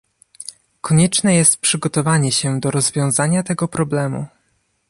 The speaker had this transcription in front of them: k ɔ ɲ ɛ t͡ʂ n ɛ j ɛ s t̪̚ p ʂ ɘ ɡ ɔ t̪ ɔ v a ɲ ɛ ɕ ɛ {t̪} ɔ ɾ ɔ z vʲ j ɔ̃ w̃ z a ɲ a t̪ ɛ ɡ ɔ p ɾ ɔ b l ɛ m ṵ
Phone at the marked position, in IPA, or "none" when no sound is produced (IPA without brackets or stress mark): d̪